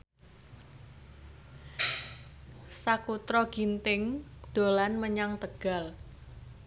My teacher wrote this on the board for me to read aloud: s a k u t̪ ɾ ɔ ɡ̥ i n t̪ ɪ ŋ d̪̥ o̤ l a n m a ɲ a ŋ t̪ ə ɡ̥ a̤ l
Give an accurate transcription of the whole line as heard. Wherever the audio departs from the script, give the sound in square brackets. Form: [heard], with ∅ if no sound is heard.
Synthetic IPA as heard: s a k u t̪ ɾ ɔ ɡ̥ i n t̪ ɪ ŋ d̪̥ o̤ l a n m [ə] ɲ a ŋ t̪ ə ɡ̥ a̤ l